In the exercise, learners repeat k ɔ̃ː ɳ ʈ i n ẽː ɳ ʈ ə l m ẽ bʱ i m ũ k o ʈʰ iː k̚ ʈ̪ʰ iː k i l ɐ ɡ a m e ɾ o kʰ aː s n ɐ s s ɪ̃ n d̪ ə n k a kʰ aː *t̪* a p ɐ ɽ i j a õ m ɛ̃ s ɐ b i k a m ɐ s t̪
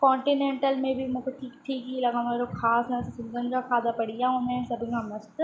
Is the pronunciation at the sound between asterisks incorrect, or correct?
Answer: incorrect: d̪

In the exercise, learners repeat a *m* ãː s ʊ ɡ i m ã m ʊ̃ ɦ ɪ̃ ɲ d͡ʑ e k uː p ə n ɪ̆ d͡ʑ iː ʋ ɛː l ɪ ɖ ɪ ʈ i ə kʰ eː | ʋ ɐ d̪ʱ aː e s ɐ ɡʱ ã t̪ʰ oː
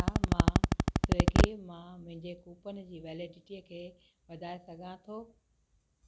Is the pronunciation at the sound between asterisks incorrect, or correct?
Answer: correct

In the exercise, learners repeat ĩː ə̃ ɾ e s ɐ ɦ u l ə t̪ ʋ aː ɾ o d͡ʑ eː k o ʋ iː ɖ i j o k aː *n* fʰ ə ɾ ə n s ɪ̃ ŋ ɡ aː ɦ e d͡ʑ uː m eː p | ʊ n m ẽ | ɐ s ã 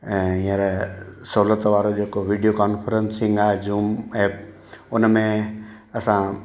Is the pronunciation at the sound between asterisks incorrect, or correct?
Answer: correct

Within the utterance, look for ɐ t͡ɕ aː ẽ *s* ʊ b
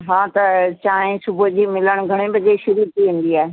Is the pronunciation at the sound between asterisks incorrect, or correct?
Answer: correct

